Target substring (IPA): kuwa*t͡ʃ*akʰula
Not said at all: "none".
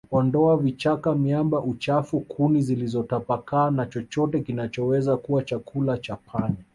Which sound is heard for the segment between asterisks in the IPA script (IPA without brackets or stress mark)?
t͡ʃ